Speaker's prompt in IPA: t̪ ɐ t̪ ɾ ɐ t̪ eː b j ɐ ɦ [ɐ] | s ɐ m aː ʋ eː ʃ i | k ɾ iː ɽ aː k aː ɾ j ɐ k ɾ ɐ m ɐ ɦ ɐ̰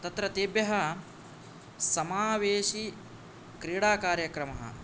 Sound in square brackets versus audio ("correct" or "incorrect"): correct